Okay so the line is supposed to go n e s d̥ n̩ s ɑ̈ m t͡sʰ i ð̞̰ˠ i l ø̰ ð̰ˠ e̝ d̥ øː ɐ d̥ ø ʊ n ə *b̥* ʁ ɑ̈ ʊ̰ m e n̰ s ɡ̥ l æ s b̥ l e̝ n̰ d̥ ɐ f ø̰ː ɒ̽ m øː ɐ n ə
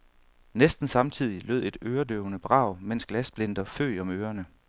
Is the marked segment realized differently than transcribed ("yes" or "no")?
no